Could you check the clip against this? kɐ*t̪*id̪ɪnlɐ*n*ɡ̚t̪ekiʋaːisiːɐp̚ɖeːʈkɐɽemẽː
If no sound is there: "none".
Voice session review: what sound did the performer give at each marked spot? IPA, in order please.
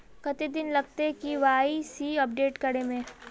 t̪, none

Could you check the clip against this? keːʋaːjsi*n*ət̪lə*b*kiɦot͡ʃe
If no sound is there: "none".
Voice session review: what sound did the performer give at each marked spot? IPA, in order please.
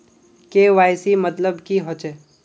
m, b

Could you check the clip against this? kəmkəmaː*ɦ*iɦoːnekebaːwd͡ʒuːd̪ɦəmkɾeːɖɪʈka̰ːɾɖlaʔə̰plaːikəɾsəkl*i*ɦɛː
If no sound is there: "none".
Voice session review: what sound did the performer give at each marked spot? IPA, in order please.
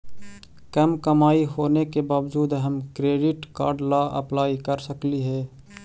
none, i

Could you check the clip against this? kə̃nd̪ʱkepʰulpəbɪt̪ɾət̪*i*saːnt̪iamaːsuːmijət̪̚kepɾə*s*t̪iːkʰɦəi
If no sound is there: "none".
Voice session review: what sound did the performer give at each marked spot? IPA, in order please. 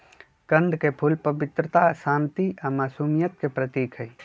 a, none

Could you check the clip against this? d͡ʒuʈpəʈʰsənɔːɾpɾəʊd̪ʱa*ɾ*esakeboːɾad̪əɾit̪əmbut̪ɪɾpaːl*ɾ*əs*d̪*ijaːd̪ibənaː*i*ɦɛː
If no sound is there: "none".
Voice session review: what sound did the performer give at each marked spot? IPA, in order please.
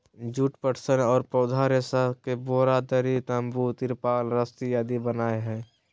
ɾ, ɾ, t̪, e

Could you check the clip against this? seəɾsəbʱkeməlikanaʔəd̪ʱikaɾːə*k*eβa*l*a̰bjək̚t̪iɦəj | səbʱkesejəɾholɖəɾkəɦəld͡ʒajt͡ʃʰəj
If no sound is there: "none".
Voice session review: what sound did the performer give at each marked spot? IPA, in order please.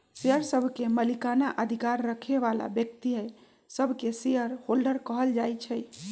kʰ, l

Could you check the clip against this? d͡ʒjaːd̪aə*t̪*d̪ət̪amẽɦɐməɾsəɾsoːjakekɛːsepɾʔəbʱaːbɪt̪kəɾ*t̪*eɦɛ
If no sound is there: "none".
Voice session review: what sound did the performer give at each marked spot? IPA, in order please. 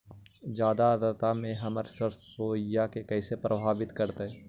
none, t̪

